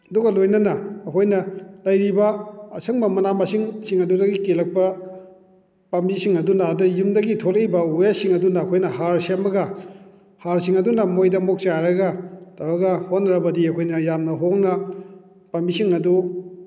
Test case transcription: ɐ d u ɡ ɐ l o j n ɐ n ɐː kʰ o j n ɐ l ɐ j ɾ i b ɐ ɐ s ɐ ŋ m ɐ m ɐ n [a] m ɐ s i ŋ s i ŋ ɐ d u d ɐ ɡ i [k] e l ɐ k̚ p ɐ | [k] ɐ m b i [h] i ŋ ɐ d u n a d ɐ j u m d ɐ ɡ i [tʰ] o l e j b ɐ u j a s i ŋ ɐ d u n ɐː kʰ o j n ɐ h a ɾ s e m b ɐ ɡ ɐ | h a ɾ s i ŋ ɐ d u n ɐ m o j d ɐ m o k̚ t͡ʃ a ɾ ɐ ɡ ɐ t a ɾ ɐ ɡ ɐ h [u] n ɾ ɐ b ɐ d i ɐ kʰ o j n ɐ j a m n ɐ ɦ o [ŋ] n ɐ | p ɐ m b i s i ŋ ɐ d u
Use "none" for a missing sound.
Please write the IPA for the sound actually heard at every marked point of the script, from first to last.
a, k, p, s, tʰ, o, ŋ

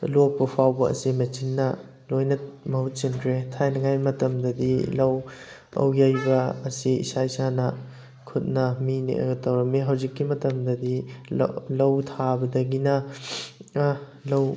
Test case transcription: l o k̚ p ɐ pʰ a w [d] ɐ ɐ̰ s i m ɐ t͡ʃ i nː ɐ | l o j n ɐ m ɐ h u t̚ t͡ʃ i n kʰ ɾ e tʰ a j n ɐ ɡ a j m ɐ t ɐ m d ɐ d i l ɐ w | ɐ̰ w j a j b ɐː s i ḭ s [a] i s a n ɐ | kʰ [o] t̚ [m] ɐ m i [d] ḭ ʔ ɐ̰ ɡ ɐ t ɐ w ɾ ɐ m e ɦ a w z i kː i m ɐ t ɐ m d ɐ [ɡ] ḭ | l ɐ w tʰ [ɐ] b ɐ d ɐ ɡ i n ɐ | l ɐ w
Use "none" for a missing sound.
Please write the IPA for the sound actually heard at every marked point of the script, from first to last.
b, a, u, n, n, d, a

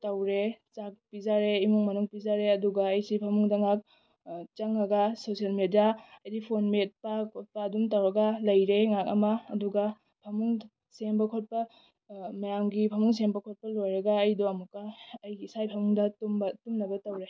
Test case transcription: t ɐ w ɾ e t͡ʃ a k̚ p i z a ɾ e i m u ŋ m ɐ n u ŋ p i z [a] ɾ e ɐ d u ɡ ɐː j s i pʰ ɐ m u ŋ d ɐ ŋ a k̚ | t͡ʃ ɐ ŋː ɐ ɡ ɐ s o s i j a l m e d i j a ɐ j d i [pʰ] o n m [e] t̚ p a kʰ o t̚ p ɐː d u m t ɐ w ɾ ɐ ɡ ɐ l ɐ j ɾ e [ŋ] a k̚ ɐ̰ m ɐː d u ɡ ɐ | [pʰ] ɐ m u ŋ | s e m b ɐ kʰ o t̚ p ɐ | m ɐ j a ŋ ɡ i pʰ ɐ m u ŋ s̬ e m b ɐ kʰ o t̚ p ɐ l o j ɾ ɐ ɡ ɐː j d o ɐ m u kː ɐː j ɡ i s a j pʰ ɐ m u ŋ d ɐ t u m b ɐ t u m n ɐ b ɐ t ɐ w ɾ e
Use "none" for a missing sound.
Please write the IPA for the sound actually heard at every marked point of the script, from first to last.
a, pʰ, e, ŋ, pʰ

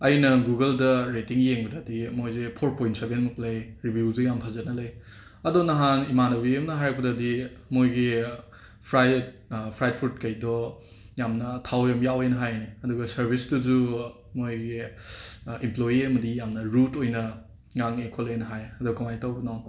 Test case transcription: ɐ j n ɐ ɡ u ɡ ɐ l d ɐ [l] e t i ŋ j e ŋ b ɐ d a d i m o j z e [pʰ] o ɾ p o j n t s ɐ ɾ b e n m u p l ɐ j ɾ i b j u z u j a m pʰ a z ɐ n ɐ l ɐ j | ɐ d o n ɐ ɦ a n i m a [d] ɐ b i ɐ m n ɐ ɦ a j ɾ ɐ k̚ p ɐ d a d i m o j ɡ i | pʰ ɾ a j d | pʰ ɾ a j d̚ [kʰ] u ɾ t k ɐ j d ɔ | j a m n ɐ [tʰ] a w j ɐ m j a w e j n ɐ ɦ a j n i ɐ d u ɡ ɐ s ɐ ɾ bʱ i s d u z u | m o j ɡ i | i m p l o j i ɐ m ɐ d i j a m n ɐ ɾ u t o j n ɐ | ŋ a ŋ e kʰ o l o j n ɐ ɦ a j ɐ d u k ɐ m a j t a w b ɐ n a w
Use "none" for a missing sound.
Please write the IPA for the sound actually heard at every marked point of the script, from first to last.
ɾ, pʰ, n, pʰ, tʰ

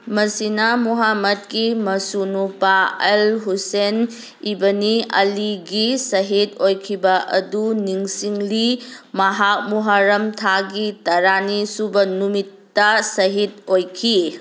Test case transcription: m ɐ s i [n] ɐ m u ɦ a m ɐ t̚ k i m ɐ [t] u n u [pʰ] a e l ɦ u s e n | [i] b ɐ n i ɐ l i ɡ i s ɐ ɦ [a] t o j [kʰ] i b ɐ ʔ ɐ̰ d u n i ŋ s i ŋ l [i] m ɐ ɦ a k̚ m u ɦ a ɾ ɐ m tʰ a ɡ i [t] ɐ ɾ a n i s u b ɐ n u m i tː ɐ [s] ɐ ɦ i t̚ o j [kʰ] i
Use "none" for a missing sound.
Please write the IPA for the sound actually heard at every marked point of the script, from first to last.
n, s, p, i, i, kʰ, i, t, s, kʰ

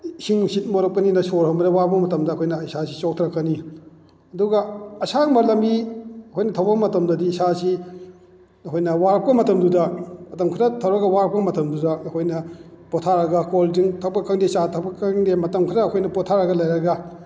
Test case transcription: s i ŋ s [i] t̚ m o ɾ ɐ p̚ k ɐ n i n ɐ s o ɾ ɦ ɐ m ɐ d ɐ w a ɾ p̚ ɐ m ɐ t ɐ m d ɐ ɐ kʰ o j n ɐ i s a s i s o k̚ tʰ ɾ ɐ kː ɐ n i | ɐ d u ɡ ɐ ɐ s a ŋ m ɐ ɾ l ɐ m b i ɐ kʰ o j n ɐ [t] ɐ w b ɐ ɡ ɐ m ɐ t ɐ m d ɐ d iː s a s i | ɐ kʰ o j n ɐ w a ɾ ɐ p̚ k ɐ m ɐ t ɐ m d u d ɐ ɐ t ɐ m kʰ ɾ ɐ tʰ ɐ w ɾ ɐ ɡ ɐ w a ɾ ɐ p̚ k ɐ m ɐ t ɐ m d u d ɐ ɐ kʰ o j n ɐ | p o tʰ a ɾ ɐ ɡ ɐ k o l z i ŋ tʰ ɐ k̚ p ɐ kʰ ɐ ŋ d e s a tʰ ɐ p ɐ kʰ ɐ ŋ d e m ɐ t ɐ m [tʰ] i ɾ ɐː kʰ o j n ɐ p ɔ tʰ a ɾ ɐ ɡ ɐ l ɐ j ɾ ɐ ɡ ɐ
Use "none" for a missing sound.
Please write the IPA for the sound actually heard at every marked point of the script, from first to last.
i, tʰ, kʰ

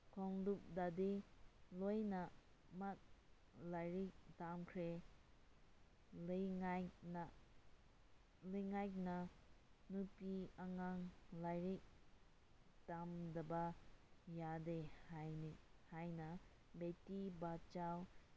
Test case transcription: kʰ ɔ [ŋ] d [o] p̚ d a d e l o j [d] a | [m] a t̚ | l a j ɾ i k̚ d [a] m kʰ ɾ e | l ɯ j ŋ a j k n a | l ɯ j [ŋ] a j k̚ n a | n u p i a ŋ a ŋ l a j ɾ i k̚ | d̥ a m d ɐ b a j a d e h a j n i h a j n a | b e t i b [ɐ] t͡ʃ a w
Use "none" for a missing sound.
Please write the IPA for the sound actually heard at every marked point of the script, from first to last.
ŋ, u, n, m, a, ŋ, a

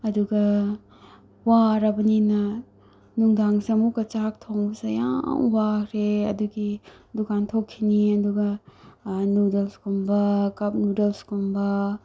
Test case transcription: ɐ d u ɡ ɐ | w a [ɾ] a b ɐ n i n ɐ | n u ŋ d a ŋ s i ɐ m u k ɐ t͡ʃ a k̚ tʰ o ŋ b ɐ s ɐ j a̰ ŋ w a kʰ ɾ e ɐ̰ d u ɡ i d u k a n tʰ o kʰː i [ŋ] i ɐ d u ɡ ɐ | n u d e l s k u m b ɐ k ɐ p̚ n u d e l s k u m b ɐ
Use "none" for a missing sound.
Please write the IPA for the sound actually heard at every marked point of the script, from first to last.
ɾ, n

